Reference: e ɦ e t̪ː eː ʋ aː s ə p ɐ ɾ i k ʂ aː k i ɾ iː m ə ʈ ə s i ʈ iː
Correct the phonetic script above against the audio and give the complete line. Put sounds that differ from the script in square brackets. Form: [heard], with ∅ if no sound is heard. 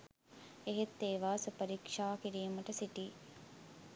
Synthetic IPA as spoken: e ɦ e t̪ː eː ʋ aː s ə p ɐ ɾ i k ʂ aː k i ɾ iː m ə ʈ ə s i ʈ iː